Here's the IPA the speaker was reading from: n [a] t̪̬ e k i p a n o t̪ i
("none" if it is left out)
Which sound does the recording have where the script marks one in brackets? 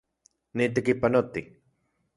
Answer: i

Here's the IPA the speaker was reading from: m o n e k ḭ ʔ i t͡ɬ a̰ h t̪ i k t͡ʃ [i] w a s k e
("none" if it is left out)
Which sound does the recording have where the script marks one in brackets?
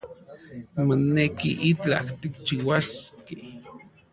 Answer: i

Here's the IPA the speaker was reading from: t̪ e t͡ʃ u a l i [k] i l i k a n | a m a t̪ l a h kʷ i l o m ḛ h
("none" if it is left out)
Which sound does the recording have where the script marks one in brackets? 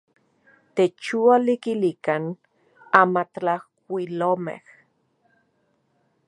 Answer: k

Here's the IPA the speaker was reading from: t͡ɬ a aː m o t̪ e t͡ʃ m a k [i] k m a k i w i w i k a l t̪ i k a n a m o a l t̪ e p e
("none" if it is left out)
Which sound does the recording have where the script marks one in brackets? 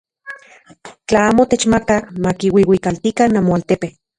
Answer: a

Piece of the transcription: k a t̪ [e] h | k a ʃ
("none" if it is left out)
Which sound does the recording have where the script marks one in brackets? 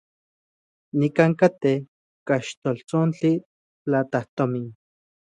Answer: e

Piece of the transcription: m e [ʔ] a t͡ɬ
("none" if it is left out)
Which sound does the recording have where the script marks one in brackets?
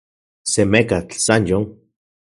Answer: k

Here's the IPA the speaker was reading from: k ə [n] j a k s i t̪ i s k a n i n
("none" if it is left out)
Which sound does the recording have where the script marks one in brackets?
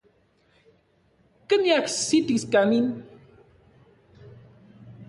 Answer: n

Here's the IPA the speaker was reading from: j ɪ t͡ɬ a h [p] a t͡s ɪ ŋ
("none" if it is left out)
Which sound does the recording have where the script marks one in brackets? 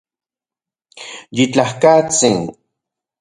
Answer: k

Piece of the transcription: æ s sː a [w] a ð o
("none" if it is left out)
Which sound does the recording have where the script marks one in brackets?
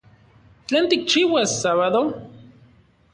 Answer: β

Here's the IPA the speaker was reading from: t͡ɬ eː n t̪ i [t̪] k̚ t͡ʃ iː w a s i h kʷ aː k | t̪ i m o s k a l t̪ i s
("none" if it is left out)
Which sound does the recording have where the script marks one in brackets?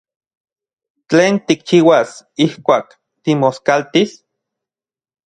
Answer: none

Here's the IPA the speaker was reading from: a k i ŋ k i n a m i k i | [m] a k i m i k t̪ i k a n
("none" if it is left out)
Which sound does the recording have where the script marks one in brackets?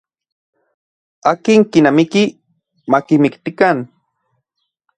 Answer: m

